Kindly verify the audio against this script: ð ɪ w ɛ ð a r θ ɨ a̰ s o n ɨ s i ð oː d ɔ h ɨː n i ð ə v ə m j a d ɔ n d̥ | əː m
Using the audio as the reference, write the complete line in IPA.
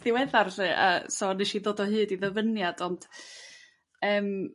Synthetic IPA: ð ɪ w ɛ ð a r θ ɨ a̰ s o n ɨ ʃ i ð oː d ɔ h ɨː d i ð ə v ə n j a d ɔ n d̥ | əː m